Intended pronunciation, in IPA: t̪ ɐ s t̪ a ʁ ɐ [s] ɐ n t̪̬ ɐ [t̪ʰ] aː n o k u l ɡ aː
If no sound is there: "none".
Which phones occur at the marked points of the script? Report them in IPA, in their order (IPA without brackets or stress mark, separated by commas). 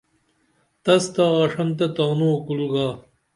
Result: ʂ, t̪